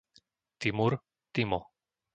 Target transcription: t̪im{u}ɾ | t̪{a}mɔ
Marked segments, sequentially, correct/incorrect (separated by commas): correct, incorrect